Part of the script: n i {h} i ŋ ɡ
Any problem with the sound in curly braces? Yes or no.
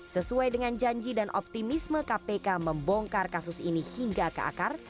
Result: no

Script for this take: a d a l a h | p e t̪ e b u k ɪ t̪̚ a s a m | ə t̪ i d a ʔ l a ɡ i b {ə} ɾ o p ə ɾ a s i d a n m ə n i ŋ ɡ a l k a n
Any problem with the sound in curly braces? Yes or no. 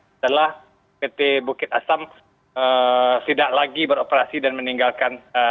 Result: no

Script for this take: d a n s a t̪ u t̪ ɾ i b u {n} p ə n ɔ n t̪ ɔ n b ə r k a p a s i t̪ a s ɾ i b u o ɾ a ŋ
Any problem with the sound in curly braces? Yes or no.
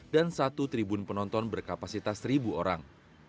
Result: no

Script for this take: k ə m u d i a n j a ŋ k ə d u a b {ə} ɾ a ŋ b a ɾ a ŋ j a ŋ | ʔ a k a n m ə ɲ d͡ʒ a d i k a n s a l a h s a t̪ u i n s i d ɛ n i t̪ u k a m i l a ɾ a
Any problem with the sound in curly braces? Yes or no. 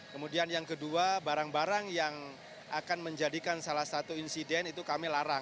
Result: yes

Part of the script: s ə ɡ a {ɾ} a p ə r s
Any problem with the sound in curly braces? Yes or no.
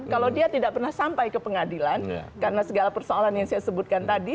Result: yes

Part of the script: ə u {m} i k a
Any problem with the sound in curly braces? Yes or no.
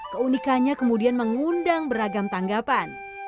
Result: yes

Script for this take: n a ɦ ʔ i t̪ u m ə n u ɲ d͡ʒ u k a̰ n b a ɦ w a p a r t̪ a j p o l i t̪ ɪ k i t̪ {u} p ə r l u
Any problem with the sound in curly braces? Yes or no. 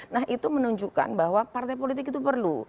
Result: no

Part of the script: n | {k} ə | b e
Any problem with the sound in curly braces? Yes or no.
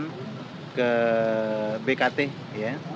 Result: no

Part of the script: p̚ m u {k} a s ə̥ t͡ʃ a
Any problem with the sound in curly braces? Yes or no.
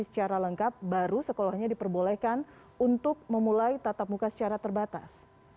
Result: no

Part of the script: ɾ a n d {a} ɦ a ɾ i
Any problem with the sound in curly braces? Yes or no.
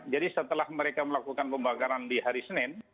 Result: yes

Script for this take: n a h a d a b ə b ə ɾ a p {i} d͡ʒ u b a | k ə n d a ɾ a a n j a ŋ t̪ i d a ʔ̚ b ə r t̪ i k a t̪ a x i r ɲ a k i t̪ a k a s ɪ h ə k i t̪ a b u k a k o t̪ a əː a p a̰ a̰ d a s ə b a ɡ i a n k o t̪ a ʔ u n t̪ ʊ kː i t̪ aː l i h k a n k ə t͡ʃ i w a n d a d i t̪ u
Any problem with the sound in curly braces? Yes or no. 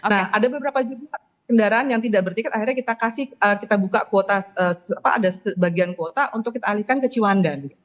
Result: yes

